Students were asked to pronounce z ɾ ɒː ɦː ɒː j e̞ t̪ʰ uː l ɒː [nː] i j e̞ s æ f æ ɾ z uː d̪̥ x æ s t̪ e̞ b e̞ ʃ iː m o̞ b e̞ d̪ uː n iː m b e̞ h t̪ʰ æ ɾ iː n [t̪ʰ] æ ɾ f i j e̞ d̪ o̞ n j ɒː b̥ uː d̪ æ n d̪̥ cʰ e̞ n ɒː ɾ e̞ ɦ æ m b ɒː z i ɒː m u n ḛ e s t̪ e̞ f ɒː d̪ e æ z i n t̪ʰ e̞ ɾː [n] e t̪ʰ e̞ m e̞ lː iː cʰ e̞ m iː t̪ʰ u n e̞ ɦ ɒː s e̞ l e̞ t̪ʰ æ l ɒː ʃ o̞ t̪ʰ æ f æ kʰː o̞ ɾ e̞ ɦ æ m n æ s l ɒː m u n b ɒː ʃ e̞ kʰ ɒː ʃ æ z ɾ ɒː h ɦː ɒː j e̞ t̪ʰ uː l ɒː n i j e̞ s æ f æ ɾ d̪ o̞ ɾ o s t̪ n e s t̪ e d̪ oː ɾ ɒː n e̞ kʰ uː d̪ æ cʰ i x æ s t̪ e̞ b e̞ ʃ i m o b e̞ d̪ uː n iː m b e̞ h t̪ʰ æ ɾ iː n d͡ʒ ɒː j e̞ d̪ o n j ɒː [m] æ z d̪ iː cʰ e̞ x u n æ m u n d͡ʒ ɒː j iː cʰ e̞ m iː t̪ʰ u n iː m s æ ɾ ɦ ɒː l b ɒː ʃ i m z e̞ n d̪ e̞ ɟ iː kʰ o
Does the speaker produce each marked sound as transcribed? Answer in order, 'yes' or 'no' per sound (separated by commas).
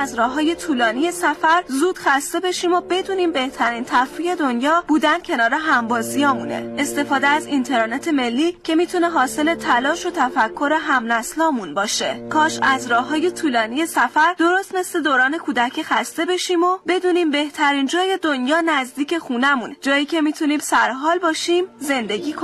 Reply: no, yes, yes, no